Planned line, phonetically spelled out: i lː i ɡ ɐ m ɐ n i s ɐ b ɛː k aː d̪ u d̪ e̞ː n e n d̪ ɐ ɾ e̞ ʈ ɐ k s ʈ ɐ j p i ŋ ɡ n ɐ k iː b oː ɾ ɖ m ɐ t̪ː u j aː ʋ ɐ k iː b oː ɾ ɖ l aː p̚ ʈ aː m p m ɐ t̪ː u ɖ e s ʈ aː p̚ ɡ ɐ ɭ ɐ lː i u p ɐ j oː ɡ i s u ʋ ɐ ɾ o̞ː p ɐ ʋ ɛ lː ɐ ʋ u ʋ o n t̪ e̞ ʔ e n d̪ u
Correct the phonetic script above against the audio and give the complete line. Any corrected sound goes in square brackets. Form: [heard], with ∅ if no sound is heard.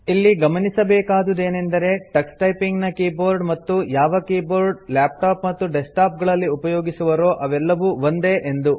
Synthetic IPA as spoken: i lː i ɡ ɐ m ɐ n i s ɐ b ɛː k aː d̪ u d̪ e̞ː n e n d̪ ɐ ɾ e̞ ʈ ɐ k s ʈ ɐ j p i ŋ ɡ n ɐ k iː b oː ɾ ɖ m ɐ t̪ː u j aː ʋ ɐ k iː b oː ɾ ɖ l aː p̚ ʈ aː [∅] p m ɐ t̪ː u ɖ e s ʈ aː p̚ ɡ ɐ ɭ ɐ lː i u p ɐ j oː ɡ i s u ʋ ɐ ɾ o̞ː [ʔ] ɐ ʋ ɛ lː ɐ ʋ u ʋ o n [d̪] e̞ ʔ e n d̪ u